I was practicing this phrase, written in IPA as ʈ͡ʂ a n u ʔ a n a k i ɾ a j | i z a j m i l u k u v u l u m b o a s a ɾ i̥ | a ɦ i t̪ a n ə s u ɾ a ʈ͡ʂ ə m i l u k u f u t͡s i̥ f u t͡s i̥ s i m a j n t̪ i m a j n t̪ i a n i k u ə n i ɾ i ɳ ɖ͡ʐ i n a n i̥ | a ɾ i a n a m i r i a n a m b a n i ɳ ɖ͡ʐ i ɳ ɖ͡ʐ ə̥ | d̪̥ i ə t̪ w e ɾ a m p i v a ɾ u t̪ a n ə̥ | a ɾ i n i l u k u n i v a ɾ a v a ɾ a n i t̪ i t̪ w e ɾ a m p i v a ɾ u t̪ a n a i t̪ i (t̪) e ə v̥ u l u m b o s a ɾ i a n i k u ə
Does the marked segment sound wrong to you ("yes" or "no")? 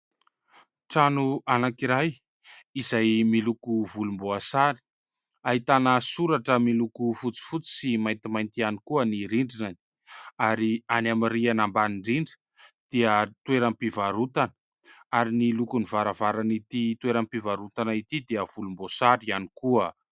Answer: yes